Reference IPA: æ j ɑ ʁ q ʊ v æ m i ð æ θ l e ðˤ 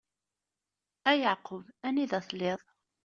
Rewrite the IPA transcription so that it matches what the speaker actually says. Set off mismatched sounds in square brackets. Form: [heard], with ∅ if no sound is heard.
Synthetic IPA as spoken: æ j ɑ [ʕ] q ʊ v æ [n] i ð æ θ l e ðˤ